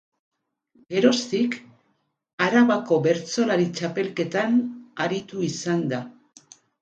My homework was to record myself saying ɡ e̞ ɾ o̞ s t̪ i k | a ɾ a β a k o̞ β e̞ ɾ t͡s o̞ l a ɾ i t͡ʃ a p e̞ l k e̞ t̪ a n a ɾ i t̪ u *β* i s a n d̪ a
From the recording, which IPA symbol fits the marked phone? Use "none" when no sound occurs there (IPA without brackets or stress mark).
none